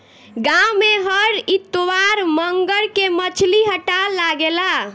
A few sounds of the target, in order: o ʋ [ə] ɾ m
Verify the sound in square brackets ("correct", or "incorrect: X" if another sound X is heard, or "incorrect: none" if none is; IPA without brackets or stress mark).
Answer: incorrect: a